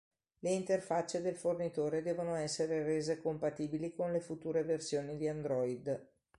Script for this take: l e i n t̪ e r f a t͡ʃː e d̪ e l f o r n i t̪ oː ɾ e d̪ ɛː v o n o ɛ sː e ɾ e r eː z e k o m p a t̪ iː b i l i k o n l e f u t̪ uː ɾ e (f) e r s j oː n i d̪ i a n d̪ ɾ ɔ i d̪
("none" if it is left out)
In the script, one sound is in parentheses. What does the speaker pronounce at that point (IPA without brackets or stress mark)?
v